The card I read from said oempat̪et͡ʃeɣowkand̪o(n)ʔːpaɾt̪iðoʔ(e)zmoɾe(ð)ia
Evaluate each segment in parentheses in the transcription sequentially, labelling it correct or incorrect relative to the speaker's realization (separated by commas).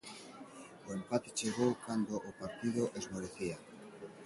incorrect, correct, incorrect